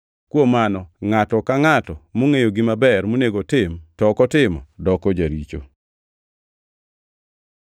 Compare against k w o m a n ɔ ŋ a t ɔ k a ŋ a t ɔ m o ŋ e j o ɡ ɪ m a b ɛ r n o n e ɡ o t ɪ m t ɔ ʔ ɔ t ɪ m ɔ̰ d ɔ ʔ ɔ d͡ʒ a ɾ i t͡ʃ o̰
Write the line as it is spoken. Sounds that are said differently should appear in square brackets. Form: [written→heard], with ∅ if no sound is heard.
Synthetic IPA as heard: k w o m a n ɔ ŋ a t ɔ k a ŋ a t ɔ m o ŋ e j o ɡ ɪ m a b ɛ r [n→m] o n e ɡ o t ɪ m t ɔ [ʔ→k] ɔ t ɪ m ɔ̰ d ɔ [ʔ→k] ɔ d͡ʒ a ɾ i t͡ʃ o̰

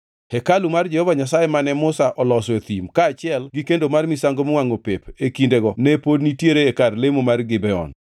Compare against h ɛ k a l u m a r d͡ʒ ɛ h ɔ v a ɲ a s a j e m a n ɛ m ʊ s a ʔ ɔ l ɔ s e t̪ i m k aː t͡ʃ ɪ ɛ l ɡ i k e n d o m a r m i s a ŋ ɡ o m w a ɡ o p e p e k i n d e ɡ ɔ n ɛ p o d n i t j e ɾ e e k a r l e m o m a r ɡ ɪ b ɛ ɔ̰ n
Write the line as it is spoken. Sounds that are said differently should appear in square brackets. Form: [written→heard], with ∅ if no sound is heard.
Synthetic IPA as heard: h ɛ k a l u m a r d͡ʒ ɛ h ɔ v a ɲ a s a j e m a n ɛ m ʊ s a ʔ ɔ l ɔ s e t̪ i m k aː t͡ʃ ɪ ɛ l ɡ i k e n d o m a r m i s a ŋ ɡ o m w a [ɡ→ŋ] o p e p e k i n d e ɡ ɔ n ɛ p o d n i t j e ɾ e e k a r l e m o m a r ɡ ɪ b ɛ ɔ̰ n

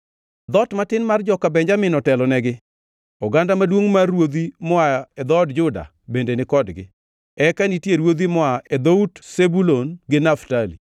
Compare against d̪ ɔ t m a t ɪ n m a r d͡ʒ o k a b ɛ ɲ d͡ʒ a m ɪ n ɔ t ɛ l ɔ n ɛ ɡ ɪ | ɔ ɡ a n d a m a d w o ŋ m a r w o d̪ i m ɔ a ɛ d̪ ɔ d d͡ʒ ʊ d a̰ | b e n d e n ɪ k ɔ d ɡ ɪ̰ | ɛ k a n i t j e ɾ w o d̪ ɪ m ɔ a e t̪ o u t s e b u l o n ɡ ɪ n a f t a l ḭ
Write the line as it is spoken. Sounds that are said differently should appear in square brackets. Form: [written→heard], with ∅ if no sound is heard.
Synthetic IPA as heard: d̪ ɔ t m a t ɪ n m a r d͡ʒ [o→ɔ] k a b ɛ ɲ d͡ʒ a m ɪ n ɔ t ɛ l ɔ n ɛ ɡ ɪ | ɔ ɡ a n d a m a d w o ŋ m a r w o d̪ i m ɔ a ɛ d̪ ɔ d d͡ʒ ʊ d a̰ | b e n d e n ɪ k ɔ d ɡ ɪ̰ | ɛ k a n i t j e ɾ w o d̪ [ɪ→i] m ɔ a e [t̪→d̪] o u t s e b u l o n ɡ ɪ n a f t a l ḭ

